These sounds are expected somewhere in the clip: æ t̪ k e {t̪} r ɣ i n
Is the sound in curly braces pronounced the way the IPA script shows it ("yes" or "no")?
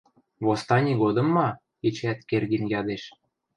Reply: no